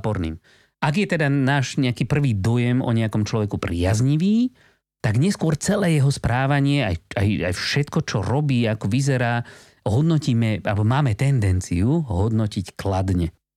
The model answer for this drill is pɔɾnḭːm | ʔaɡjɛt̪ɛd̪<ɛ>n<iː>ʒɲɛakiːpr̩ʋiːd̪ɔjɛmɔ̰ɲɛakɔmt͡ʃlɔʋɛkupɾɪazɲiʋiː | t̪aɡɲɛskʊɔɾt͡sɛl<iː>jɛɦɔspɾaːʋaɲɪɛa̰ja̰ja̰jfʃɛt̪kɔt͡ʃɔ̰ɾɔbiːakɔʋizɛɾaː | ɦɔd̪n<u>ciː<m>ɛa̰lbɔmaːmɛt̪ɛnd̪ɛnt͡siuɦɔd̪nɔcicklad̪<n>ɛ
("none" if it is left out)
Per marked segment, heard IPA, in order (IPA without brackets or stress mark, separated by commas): a, aː, ɛː, ɔ, m, ɲ